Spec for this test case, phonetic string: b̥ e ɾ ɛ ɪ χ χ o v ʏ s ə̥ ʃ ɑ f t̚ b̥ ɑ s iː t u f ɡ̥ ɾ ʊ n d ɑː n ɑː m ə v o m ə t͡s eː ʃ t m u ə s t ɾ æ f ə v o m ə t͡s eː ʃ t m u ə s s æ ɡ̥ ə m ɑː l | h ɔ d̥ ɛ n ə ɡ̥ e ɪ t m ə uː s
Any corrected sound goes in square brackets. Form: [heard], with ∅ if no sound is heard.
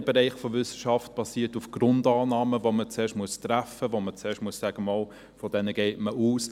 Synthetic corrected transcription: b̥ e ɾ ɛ ɪ χ [f] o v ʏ s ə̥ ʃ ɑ f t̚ b̥ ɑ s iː t u f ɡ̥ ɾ ʊ n d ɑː n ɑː m ə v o m ə t͡s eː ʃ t m u ə s t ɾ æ f ə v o m ə t͡s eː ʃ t m u ə s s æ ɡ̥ ə m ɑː l | [f] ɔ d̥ ɛ n ə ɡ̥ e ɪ t m ə uː s